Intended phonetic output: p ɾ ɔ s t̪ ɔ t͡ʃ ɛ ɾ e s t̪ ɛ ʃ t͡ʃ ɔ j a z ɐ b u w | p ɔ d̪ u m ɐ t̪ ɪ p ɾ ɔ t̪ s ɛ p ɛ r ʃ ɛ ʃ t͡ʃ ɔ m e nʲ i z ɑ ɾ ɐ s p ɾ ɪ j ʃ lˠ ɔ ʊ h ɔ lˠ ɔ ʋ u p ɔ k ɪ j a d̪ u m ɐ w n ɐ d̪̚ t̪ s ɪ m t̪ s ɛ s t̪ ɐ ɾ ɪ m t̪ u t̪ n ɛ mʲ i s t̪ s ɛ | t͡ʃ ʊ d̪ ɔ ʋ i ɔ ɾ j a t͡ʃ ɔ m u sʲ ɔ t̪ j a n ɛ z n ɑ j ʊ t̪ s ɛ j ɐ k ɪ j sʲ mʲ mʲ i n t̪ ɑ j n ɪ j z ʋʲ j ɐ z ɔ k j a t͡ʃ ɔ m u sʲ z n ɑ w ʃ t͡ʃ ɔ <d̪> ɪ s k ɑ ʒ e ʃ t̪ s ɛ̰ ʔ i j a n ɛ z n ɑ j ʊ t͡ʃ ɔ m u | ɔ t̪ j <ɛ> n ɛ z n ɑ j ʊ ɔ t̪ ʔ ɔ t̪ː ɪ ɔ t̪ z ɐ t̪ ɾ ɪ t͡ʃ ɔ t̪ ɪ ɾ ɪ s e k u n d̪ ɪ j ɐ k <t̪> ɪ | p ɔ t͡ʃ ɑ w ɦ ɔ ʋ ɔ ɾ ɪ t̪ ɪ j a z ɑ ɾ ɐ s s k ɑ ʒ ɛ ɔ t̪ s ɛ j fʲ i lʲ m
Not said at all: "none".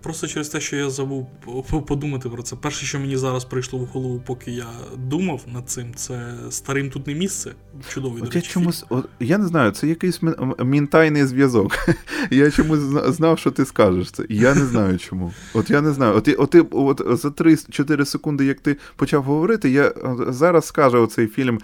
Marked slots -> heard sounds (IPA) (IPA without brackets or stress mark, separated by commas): t̪, a, t̪